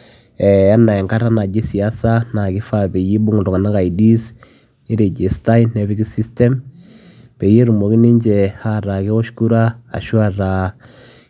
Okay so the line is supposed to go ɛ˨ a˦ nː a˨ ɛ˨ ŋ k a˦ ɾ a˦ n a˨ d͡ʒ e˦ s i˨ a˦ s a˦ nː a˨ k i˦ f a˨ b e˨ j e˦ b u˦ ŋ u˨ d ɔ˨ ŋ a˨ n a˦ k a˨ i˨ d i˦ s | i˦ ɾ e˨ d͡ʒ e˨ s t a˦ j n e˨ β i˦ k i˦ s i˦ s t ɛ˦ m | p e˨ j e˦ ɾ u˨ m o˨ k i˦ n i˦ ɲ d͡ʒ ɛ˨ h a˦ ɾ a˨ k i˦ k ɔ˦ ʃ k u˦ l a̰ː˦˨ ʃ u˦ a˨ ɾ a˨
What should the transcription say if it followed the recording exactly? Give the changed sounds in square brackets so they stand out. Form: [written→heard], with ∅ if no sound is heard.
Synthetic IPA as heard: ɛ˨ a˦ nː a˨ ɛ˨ ŋ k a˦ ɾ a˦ n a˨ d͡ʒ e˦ s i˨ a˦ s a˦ [nː→n] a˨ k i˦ f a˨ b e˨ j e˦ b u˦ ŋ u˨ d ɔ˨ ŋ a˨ n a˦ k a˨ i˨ d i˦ s | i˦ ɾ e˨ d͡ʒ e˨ s t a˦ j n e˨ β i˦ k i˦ s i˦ s t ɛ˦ m | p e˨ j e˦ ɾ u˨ m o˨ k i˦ n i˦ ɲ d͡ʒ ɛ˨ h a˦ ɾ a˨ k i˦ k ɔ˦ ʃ k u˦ [l→ɾ] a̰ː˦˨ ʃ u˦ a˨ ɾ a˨